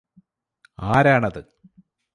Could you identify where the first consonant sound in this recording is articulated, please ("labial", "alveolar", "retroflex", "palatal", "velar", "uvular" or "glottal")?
alveolar